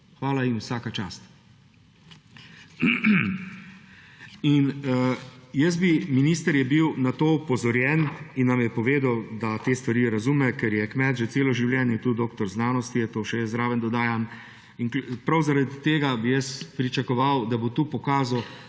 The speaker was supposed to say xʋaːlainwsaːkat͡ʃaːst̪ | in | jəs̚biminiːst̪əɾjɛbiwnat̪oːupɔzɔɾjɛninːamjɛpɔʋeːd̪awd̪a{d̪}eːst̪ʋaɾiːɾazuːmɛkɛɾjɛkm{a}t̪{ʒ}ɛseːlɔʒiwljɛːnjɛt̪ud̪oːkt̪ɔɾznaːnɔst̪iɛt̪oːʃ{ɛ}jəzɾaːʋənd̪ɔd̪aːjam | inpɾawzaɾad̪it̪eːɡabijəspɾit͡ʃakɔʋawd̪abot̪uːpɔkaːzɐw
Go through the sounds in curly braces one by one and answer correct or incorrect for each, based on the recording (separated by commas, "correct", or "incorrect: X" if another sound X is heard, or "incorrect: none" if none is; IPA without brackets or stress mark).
incorrect: t̪, incorrect: ɛ, correct, correct